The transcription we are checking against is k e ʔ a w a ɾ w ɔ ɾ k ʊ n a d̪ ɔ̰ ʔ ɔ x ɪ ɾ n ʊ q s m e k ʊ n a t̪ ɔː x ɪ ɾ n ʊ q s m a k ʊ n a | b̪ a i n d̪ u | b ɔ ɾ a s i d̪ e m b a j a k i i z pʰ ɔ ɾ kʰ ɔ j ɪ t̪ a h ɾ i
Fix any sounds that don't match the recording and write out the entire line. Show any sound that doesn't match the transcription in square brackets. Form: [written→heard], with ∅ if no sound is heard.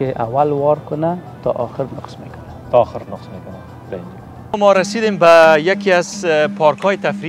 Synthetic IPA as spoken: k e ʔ a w a [ɾ→l] w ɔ ɾ k ʊ n a [d̪→t̪] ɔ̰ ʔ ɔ x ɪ ɾ n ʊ q s m e k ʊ n a t̪ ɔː x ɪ ɾ n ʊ q s m [a→e] k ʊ n a | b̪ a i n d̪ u | [b→m] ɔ ɾ a s i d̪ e m b a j a k i [i→a] z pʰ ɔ ɾ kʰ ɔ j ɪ t̪ a [h→f] ɾ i